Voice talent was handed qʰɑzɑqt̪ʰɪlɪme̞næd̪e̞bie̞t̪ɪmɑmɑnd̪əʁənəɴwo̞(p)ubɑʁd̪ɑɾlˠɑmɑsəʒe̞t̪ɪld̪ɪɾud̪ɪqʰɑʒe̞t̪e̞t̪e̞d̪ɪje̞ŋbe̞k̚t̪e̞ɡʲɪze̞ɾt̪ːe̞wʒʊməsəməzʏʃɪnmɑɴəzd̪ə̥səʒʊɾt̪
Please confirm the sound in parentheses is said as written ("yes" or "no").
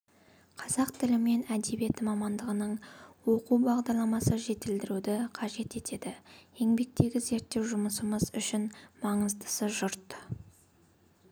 no